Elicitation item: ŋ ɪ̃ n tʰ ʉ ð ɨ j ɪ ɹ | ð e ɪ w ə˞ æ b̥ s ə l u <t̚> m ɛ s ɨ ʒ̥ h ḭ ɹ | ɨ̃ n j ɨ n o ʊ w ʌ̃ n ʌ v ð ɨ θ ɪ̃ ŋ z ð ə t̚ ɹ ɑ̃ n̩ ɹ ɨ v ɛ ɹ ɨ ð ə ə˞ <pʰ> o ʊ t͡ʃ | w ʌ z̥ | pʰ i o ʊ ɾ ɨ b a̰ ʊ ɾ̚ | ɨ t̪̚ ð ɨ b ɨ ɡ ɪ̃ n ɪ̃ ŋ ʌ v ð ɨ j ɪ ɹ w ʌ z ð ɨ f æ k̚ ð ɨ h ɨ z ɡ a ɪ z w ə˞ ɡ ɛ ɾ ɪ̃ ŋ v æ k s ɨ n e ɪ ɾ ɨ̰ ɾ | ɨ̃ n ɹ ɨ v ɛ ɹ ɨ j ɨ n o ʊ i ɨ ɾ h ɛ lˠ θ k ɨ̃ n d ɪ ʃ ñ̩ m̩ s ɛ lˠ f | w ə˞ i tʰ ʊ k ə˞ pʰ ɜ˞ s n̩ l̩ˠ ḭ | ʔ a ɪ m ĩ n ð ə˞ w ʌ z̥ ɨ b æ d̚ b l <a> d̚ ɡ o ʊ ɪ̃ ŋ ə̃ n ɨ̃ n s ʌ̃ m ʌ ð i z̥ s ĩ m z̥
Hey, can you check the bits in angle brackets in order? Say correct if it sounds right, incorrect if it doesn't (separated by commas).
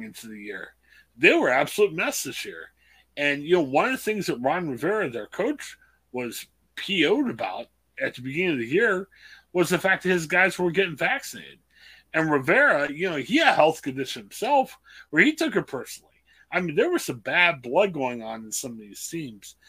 correct, incorrect, incorrect